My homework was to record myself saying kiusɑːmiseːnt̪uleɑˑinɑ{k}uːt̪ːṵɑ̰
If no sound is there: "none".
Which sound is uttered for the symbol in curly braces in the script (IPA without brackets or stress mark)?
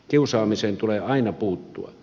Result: p